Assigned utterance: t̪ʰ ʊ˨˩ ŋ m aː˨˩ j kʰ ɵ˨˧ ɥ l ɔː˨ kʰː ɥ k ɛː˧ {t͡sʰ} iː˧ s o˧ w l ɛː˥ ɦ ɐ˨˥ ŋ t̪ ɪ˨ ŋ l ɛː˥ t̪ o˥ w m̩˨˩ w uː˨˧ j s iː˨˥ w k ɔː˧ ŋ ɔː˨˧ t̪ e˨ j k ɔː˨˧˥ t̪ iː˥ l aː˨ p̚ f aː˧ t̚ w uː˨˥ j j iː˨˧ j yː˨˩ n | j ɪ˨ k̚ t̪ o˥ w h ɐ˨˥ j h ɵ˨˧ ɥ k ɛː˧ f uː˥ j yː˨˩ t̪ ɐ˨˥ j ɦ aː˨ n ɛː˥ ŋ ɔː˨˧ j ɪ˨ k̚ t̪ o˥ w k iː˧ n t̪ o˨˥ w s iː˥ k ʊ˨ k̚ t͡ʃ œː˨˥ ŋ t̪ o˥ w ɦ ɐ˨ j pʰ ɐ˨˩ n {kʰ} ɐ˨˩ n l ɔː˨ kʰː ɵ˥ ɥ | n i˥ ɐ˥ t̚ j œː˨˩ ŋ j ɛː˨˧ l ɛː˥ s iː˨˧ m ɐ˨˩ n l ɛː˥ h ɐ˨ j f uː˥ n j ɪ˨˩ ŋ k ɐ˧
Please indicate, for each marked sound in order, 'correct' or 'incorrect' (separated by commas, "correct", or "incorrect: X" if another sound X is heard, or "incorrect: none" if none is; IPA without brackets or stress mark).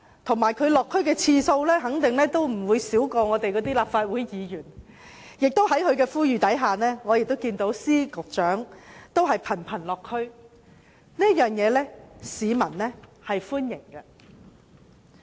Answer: correct, incorrect: pʰ